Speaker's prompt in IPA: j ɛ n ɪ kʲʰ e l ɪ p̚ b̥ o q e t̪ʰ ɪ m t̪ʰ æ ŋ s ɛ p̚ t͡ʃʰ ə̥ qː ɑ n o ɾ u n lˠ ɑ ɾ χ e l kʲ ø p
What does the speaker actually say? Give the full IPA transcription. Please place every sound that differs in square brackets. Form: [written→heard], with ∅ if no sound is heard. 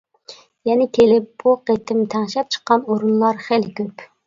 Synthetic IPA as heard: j ɛ n ɪ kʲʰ e l ɪ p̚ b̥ [o→u] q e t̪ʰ ɪ m t̪ʰ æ ŋ [s→ʃ] ɛ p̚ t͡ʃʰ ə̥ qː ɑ n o ɾ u n lˠ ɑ ɾ χ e l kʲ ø p

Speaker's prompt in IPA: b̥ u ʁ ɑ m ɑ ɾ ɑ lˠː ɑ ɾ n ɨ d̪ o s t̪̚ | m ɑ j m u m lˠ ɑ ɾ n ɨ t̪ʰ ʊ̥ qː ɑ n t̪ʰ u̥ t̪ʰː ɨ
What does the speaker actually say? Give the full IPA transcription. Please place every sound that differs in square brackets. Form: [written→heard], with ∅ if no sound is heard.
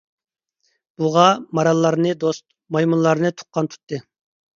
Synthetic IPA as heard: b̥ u ʁ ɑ m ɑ ɾ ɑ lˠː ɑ ɾ n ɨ d̪ o s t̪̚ | m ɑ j m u [m→n] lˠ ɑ ɾ n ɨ t̪ʰ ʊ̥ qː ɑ n t̪ʰ u̥ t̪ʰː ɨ

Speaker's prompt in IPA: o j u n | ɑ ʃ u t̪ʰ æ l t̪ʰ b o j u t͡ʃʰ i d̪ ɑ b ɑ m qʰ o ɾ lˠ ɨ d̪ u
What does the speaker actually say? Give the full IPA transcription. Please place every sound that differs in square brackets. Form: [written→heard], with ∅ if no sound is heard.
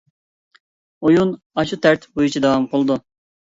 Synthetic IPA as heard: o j u n | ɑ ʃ u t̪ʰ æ [l→ɾ] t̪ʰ b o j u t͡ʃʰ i d̪ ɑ [b→w] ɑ m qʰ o [ɾ→∅] lˠ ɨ d̪ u

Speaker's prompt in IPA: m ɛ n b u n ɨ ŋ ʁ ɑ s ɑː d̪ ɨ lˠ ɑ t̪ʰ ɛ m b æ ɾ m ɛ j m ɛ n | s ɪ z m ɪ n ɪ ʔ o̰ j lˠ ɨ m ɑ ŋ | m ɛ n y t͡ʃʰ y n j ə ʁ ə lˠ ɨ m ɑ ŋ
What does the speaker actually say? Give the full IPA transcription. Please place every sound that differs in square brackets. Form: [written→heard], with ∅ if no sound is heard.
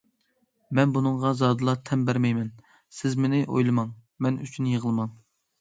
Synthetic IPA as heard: m ɛ n b u n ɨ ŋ ʁ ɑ [s→z] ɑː d̪ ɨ lˠ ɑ t̪ʰ ɛ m b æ ɾ m ɛ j m ɛ n | s ɪ z m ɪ n ɪ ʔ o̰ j lˠ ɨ m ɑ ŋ | m ɛ n y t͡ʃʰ y n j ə ʁ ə lˠ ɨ m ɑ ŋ

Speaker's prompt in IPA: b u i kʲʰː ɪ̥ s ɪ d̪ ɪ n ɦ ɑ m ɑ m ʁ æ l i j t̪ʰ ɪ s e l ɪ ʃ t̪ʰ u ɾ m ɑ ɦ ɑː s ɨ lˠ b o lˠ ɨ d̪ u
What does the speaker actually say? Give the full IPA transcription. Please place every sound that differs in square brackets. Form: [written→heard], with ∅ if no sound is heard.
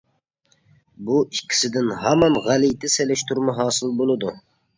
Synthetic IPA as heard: b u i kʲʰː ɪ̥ s ɪ d̪ ɪ n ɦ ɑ m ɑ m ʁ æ l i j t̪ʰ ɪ s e l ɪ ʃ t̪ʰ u ɾ m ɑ ɦ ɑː s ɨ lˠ b o lˠ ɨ d̪ u

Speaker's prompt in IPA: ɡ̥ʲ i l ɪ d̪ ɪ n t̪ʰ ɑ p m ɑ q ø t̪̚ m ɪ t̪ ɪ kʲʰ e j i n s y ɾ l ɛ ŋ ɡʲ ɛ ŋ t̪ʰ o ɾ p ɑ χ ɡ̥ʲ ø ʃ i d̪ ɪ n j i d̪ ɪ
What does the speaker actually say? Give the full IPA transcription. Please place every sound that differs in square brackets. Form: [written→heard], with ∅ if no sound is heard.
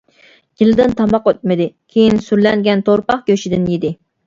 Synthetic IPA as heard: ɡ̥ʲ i l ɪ d̪ ɪ n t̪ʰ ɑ [p→∅] m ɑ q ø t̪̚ m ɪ [t̪→d̪] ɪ kʲʰ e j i n s y ɾ l ɛ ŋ ɡʲ ɛ [ŋ→n] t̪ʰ o ɾ p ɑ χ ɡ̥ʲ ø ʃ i d̪ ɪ n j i d̪ ɪ

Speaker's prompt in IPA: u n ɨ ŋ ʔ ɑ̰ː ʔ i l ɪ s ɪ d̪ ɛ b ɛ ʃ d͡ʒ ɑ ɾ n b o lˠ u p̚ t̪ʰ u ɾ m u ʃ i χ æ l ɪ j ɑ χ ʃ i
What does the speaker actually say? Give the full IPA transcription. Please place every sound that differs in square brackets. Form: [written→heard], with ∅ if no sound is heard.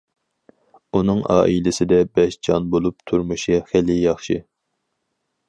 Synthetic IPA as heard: u n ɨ ŋ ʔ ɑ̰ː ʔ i l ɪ s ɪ d̪ ɛ b ɛ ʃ d͡ʒ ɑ [ɾ→∅] n b o lˠ u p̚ t̪ʰ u ɾ m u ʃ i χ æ l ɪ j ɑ χ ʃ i

